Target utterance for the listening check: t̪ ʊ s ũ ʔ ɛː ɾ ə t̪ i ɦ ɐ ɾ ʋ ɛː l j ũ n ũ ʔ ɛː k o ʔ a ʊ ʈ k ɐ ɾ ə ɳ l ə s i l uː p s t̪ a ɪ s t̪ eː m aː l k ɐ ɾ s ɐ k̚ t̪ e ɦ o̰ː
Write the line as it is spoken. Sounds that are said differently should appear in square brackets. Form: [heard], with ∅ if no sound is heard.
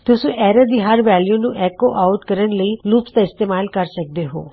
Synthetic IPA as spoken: t̪ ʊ s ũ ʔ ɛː ɾ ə [d̪] i ɦ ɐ ɾ ʋ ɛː l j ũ n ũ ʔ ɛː k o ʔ a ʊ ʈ k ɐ ɾ ə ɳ l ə [∅] i l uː p s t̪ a ɪ s t̪ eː m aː l k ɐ ɾ s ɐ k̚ [d̪] e ɦ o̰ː

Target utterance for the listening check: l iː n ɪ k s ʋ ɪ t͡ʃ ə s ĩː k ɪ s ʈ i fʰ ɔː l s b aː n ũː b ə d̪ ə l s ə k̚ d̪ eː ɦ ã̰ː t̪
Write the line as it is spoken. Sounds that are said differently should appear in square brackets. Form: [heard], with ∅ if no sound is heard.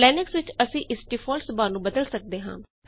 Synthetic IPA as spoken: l [ɛː] n ɪ k s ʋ ɪ t͡ʃ ə s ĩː [ʔ] ɪ s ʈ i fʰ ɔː l s b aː n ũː b ə d̪ ə l s ə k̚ d̪ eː ɦ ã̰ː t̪

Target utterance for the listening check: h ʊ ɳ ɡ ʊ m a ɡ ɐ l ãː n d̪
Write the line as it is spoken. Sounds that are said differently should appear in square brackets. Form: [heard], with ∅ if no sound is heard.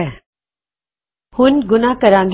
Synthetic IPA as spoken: h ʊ [n] ɡ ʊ [n] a [k] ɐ [ɾ] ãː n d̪

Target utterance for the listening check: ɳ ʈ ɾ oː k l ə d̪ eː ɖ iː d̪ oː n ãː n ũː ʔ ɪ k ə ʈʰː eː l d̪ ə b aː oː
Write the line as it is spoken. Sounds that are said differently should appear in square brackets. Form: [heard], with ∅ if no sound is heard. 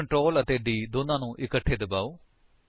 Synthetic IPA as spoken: ɳ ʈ ɾ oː [∅] l ə [t̪] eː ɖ iː d̪ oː n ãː n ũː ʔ ɪ k ə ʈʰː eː [∅] d̪ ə b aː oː

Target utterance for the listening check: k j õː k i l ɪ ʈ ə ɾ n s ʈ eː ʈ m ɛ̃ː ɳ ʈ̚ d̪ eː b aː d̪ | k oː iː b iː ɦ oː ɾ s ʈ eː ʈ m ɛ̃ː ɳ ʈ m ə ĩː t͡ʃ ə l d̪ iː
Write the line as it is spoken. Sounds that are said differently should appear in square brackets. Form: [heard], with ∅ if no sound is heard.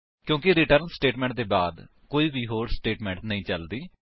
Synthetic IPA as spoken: k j õː k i [ɾ] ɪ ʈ ə ɾ n s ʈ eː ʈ m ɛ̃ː ɳ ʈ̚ d̪ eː b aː d̪ | k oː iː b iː ɦ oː ɾ s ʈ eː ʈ m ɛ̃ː ɳ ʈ [n] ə ĩː t͡ʃ ə l d̪ iː

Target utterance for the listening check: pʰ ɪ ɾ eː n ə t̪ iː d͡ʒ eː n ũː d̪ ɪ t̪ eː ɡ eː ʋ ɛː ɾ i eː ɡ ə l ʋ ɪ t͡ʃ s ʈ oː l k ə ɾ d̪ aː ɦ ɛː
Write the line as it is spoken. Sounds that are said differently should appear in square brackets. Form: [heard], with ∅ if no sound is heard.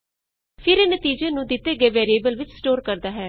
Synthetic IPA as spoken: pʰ ɪ ɾ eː n ə t̪ iː d͡ʒ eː n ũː d̪ ɪ t̪ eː ɡ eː ʋ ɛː ɾ i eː [b] ə l ʋ ɪ t͡ʃ s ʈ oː [ɾ] k ə ɾ d̪ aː ɦ ɛː

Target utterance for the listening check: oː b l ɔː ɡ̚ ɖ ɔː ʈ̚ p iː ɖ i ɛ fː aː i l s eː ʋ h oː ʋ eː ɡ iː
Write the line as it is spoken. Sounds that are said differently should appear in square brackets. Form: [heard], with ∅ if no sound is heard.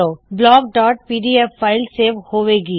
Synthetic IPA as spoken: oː b l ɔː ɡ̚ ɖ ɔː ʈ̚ p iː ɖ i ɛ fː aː [ɪ] l s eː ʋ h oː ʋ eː ɡ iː

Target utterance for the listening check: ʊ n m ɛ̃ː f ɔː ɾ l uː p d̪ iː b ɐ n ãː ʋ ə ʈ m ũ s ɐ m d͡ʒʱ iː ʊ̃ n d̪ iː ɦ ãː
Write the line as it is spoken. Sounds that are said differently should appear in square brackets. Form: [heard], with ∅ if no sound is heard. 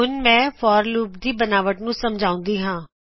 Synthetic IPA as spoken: ʊ n m ɛ̃ː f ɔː ɾ l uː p d̪ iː b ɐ n [aː] ʋ ə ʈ [n] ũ s ɐ m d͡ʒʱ [aː] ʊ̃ n d̪ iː ɦ ãː

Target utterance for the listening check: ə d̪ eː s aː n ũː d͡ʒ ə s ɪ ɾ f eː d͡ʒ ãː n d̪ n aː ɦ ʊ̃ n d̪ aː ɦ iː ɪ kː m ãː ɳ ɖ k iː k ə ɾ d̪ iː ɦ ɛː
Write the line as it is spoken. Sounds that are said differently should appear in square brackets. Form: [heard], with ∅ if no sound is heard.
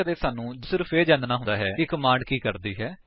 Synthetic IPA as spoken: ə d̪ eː s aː n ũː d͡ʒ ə s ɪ ɾ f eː d͡ʒ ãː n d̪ n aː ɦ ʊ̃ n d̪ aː ɦ [ɛː] ɪ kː m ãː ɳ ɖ k iː k ə ɾ d̪ iː ɦ ɛː

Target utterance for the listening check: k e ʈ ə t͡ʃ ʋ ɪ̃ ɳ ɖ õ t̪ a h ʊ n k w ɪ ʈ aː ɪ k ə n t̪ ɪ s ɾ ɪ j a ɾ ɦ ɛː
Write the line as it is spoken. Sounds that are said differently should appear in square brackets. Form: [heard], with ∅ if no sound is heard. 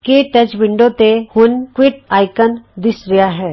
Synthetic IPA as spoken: k e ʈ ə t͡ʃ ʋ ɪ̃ ɳ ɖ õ t̪ [e] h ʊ n k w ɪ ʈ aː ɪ k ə n [d̪] ɪ s ɾ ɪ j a [∅] ɦ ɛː

